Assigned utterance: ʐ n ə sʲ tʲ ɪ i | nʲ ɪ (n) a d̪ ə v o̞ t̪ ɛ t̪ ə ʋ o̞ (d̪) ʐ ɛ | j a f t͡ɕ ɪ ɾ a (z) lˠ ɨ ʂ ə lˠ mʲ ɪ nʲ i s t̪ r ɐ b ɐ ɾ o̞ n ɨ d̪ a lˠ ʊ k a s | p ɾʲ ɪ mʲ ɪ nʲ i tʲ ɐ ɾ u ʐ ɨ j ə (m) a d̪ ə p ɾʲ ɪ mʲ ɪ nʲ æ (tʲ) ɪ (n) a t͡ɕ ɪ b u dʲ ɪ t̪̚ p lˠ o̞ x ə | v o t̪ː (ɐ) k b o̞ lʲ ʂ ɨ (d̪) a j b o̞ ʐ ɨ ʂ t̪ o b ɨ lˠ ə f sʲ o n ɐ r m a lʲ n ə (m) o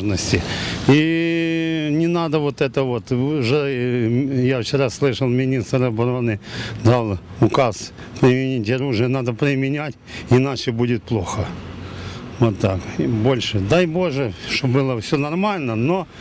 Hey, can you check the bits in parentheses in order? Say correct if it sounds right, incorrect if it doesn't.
correct, incorrect: t̪, incorrect: s, incorrect: n, correct, correct, incorrect: a, correct, incorrect: n

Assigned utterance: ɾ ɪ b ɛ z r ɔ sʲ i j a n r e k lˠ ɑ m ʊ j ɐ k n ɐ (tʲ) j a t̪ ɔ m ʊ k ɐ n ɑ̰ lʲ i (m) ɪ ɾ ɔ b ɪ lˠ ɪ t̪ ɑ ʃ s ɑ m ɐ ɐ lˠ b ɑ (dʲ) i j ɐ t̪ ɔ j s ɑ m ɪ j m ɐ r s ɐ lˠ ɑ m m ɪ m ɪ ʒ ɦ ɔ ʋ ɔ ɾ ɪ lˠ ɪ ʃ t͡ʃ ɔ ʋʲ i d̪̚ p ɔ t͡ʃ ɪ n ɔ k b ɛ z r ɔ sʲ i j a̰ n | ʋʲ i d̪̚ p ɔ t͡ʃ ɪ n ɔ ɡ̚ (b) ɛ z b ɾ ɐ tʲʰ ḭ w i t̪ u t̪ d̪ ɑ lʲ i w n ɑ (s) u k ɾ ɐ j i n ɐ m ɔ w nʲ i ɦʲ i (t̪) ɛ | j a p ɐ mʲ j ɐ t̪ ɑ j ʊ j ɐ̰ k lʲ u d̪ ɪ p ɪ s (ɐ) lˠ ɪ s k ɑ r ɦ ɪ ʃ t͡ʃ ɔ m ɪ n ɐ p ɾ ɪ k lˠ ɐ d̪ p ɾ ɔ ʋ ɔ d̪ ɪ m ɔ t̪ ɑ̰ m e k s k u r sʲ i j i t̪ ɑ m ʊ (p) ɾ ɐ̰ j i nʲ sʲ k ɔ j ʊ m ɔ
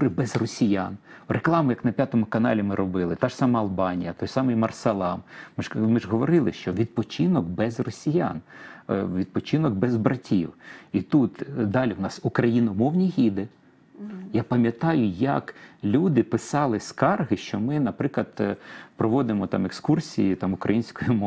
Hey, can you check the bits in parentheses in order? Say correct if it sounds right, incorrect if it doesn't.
incorrect: pʲ, correct, incorrect: nʲ, correct, correct, incorrect: d̪, incorrect: ɑ, incorrect: k

